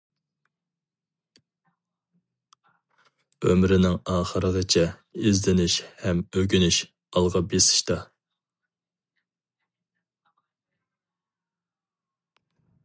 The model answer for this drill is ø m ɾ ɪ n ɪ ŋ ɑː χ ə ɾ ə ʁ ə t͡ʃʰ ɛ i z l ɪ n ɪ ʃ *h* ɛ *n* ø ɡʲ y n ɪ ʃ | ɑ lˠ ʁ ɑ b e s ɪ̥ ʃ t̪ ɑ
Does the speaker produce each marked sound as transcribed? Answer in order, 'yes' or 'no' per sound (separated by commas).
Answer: yes, no